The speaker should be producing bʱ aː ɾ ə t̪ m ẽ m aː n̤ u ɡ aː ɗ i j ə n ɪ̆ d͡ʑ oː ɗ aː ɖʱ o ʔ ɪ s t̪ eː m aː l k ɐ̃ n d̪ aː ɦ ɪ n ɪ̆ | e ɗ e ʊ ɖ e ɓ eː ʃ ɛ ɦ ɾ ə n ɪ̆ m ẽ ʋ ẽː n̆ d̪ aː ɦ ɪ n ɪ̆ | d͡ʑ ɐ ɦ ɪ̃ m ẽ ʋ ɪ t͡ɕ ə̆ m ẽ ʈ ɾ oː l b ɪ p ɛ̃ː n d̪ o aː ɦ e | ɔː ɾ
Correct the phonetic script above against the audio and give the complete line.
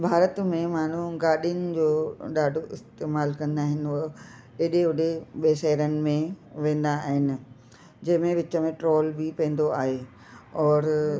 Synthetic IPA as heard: bʱ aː ɾ ə t̪ m ẽ m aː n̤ u ɡ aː ɗ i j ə n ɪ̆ d͡ʑ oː ɗ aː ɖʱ o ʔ ɪ s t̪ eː m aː l k ɐ̃ n d̪ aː ɦ ɪ n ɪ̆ | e ɗ e ʊ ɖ e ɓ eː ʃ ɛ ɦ ɾ ə n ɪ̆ m ẽ ʋ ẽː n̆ d̪ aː ɦ ɪ n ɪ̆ | d͡ʑ ɐ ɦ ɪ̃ m ẽ ʋ ɪ t͡ɕ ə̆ m ẽ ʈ ɾ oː l b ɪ p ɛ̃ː n d̪ o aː ɦ e | ɔː ɾ